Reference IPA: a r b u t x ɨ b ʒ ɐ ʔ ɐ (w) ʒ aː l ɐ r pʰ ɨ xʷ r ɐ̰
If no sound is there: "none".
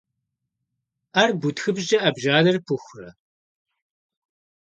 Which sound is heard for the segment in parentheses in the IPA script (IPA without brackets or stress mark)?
b